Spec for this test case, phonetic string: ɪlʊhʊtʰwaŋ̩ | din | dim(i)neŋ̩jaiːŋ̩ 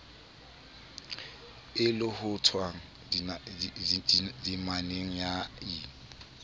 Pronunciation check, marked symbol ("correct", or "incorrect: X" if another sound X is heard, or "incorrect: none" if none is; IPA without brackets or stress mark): incorrect: a